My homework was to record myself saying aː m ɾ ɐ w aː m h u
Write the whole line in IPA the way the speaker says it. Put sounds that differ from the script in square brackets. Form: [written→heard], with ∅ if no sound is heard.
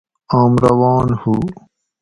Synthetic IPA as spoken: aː m ɾ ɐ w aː [m→n] h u